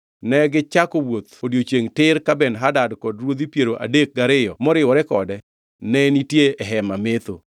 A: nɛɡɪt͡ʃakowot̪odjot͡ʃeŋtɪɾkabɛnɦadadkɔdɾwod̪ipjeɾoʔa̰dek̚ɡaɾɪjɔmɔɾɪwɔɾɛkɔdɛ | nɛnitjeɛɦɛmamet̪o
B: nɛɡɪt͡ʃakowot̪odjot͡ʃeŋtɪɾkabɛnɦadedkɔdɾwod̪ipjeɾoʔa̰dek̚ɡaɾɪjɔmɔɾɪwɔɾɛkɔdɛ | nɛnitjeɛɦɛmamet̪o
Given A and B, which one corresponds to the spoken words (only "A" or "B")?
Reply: A